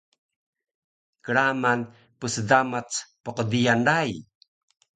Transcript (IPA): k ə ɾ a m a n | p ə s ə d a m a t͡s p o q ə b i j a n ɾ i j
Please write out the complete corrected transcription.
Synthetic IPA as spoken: k ə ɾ a m a n | p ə s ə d a m a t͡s p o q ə d i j a n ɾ a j